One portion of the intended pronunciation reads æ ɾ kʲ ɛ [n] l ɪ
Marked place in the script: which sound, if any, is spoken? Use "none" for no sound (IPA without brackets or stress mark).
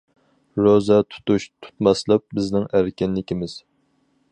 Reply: n